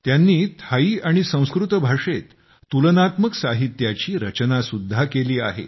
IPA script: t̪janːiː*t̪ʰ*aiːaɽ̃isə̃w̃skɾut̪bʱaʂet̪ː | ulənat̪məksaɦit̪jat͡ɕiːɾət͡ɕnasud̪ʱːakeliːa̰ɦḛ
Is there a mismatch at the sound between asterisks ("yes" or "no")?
no